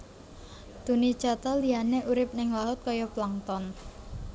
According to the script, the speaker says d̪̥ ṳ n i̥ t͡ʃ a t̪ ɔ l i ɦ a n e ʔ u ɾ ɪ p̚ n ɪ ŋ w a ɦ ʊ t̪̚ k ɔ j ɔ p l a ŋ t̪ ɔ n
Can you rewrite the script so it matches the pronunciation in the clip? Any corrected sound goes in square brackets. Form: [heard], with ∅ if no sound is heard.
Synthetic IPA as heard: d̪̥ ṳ n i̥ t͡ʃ a t̪ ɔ l i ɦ a n e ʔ u ɾ ɪ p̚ n ɪ ŋ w a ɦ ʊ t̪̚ k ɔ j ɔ p l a ŋ t̪ ɔ n